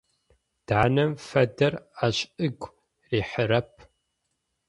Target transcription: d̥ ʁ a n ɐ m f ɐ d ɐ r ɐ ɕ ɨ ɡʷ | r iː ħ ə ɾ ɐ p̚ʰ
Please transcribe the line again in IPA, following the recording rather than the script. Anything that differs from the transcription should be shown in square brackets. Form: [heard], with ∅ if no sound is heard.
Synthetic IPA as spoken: d̥ [ʕ] a n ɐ m f ɐ d ɐ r [a] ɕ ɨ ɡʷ | r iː ħ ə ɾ ɐ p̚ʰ